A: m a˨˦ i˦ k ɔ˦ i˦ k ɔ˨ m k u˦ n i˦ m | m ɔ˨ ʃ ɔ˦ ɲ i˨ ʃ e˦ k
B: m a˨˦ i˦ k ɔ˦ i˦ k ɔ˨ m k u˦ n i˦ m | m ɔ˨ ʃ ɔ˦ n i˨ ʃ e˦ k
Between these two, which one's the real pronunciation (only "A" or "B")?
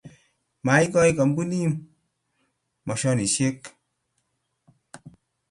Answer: B